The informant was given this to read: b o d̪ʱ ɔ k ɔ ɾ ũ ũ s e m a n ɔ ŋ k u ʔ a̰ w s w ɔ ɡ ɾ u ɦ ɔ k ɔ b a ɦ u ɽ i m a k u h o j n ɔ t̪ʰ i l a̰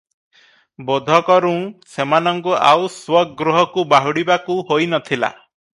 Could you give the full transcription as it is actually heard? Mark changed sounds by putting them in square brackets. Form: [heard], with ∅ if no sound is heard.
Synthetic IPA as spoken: b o d̪ʱ ɔ k ɔ ɾ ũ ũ s e m a n ɔ ŋ k u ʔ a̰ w s w ɔ ɡ ɾ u ɦ ɔ k [u] b a ɦ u ɽ i [b] a k u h o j n ɔ t̪ʰ i l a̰